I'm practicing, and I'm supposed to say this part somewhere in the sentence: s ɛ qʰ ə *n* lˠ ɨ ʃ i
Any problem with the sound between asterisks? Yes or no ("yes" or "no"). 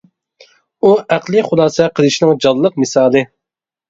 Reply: yes